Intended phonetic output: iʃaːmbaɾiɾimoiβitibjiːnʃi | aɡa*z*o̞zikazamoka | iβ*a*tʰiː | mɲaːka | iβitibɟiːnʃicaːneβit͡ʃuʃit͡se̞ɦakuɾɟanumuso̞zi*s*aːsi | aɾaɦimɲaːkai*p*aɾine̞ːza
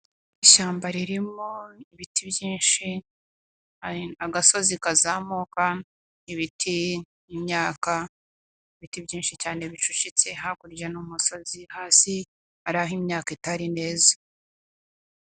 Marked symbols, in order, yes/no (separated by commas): no, no, no, no